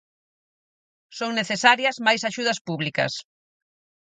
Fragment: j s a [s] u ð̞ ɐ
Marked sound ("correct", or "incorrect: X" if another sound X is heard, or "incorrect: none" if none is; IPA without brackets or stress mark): incorrect: ʃ